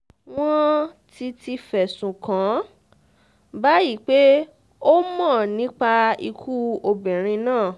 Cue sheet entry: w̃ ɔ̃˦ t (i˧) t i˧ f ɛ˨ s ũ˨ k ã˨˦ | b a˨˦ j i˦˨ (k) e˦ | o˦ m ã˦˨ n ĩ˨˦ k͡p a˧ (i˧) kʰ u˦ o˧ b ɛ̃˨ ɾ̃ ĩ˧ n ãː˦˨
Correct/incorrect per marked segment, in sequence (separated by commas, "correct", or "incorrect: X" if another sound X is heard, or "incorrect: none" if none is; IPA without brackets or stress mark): correct, incorrect: k͡p, correct